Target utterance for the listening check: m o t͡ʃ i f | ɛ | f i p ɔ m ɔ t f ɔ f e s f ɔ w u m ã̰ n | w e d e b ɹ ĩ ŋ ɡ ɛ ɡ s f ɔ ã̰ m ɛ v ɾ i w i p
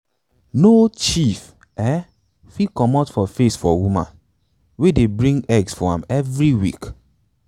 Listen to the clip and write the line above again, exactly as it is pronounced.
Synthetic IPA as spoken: n o t͡ʃ i f | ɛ | f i k ɔ m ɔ t f ɔ f e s f ɔ w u m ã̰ n | w e d e b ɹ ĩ ŋ ɡ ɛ ɡ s f ɔ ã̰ m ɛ v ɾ i w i k